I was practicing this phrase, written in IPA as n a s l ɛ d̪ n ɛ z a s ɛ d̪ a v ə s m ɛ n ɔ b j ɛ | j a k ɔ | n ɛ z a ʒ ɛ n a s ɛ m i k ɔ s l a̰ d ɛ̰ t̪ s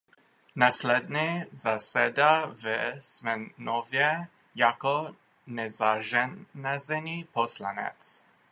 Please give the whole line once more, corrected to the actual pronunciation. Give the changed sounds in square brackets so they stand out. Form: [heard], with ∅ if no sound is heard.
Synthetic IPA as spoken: n a s l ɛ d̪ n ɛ z a s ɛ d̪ a v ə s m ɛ n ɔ [v] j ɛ | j a k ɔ | n ɛ z a ʒ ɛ n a [z] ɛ [n] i [p] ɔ s l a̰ [n] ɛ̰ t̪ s